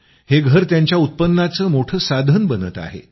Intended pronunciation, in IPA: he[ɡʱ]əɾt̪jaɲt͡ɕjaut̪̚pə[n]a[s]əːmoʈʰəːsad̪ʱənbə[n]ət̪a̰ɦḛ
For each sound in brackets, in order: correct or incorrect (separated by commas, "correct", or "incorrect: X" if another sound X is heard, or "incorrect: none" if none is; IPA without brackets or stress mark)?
correct, incorrect: nː, incorrect: t͡s, correct